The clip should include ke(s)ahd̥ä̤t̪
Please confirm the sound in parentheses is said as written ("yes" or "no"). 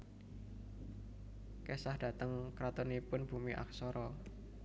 yes